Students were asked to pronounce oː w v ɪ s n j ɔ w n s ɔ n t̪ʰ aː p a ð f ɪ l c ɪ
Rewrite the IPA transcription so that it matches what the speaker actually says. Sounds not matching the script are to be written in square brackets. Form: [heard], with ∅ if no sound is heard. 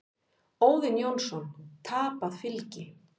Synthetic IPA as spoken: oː w [ð] ɪ [∅] n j [o] w n s ɔ n t̪ʰ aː p a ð f ɪ l c ɪ